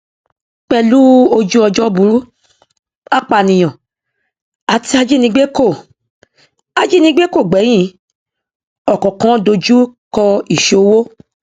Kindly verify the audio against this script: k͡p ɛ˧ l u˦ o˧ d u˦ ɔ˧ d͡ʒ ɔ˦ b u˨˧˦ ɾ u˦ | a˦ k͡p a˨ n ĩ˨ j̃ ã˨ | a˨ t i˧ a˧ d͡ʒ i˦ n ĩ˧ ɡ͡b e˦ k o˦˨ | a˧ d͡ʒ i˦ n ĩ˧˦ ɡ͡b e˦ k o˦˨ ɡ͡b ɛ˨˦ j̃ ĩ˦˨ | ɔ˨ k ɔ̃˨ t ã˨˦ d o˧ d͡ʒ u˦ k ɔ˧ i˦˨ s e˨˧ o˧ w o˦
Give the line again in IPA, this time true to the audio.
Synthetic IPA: k͡p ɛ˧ l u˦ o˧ d͡ʒ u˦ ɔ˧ d͡ʒ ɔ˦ b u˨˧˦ ɾ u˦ | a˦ k͡p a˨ n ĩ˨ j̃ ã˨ | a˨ t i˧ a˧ d͡ʒ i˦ n ĩ˧ ɡ͡b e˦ k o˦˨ | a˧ d͡ʒ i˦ n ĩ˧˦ ɡ͡b e˦ k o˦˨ ɡ͡b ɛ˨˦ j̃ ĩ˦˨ | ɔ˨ k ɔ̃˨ k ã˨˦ d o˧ d͡ʒ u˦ k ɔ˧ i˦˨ ʃ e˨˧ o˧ w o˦